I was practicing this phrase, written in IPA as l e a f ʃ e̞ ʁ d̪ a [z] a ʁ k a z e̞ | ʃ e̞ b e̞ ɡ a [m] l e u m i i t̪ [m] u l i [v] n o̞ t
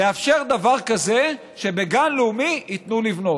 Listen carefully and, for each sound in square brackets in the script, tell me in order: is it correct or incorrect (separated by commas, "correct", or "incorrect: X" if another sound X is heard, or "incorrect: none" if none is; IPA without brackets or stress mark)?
incorrect: v, incorrect: n, incorrect: n, correct